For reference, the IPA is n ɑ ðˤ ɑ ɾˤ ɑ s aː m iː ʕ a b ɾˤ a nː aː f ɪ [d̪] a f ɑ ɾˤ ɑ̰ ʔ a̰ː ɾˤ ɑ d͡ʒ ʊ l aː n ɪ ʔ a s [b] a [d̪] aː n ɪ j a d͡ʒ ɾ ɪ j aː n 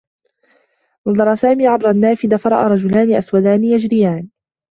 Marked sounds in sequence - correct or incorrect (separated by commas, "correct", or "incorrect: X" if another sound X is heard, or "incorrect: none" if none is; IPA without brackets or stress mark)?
correct, incorrect: w, correct